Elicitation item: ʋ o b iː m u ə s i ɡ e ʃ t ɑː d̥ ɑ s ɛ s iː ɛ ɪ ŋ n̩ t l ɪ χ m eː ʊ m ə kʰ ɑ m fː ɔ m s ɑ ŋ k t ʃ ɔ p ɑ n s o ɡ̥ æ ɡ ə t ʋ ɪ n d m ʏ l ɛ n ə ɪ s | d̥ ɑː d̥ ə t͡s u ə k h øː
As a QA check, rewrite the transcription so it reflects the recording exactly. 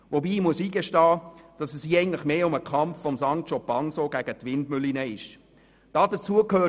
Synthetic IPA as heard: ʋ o b iː m u ə s iː ɡ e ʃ t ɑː d̥ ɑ s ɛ s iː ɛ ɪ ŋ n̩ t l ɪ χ m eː ʊ m ə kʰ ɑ m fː ɔ m s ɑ ŋ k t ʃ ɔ p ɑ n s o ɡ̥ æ ɡ ə t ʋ ɪ n d m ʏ l i n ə ɪ ʃ | d̥ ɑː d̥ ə t͡s u ə k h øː